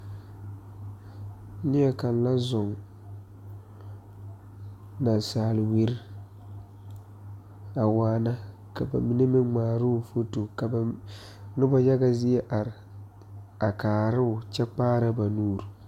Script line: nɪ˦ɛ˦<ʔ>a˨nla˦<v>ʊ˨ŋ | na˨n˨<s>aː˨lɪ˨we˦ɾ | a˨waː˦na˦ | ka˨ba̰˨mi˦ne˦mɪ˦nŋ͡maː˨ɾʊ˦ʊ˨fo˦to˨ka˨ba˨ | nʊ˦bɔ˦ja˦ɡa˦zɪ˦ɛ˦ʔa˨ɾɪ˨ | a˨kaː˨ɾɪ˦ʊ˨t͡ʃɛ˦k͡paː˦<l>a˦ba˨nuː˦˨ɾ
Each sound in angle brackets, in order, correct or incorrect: incorrect: k, incorrect: z, correct, incorrect: ɾ

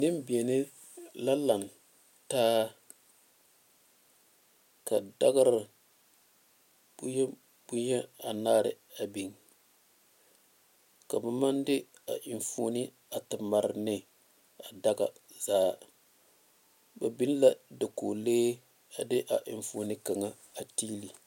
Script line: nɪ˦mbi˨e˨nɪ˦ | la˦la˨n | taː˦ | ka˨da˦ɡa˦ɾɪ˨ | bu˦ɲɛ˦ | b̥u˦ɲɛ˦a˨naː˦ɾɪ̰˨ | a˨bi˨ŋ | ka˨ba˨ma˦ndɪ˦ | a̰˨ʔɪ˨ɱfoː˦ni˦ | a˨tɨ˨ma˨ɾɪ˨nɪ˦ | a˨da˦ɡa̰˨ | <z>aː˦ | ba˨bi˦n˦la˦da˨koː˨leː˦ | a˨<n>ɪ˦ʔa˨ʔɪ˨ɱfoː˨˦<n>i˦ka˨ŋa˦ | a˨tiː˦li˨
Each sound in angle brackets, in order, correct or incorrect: correct, incorrect: d, correct

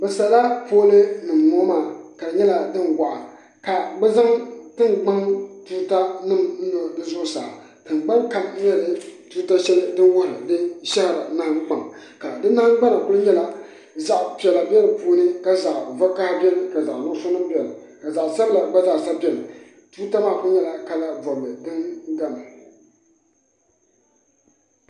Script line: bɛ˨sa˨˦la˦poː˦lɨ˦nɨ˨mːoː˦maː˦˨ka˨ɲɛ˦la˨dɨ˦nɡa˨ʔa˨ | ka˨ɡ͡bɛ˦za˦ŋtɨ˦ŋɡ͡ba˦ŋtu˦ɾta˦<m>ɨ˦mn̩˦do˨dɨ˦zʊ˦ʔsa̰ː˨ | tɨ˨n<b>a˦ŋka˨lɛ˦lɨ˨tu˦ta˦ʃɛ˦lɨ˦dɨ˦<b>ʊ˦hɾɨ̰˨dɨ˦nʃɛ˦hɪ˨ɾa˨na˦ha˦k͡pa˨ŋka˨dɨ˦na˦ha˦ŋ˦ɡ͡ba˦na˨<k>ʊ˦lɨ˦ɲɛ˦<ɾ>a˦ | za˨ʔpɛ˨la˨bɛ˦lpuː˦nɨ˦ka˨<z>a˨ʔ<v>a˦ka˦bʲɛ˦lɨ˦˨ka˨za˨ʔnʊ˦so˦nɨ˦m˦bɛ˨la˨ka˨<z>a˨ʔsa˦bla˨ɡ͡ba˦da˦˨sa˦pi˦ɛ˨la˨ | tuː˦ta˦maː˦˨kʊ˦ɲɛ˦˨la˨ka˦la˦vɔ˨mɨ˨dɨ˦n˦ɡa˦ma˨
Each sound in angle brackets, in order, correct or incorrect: incorrect: n, incorrect: ɡ͡b, incorrect: w, correct, incorrect: l, correct, correct, correct

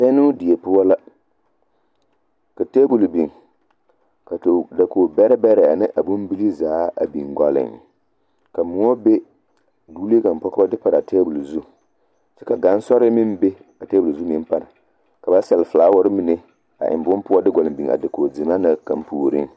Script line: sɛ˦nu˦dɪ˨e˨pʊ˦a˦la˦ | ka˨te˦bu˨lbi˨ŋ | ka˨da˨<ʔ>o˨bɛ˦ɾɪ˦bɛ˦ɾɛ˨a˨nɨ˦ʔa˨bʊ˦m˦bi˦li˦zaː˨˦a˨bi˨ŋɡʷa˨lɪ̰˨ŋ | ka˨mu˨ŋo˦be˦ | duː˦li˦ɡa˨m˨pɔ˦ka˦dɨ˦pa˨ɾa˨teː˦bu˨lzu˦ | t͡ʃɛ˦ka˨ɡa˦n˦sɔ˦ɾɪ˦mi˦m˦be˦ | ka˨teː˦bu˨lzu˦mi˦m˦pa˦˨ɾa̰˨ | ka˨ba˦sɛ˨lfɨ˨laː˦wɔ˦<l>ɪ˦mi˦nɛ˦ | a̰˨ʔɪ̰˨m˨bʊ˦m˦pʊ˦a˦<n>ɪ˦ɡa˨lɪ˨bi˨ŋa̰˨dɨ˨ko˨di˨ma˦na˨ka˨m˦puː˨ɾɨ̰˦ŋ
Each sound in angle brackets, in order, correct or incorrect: incorrect: k, incorrect: ɾ, incorrect: d

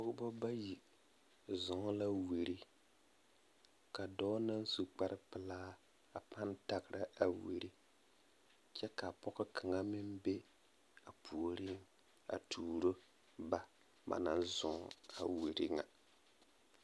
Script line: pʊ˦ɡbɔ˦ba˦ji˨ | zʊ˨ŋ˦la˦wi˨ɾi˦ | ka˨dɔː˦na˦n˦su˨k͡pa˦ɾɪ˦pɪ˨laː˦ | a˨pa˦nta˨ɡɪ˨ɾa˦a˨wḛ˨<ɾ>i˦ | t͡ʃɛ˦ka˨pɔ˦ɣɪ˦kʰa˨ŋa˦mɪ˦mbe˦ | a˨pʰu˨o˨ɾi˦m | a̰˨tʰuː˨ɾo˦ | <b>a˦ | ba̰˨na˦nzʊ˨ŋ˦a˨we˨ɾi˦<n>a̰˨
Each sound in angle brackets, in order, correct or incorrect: correct, correct, incorrect: ŋ

